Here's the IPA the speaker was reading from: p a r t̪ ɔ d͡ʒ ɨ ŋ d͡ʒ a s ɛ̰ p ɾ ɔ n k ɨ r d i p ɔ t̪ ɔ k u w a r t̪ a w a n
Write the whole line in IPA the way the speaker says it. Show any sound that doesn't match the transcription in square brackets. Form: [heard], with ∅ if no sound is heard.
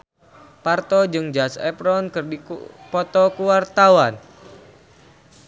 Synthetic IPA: p a r t̪ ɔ d͡ʒ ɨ ŋ d͡ʒ a s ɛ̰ p ɾ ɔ n k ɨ r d i p ɔ t̪ ɔ k u w a r t̪ a w a n